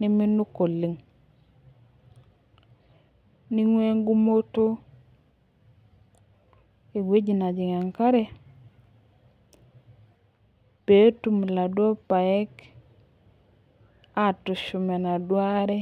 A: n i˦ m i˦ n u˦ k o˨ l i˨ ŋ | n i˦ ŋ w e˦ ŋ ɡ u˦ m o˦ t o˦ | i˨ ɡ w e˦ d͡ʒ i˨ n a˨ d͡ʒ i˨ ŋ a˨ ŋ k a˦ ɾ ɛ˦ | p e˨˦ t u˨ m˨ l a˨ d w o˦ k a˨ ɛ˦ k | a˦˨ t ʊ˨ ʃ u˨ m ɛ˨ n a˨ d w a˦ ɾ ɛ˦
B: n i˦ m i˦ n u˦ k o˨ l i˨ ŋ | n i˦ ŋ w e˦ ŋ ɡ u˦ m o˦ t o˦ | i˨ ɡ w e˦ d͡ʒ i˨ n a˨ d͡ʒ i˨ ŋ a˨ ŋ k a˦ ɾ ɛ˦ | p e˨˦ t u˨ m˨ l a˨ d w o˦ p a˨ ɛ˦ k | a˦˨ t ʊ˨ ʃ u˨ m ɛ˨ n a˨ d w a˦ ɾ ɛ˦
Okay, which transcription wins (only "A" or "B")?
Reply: B